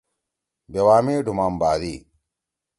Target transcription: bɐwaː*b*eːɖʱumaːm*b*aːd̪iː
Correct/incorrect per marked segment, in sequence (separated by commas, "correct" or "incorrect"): incorrect, correct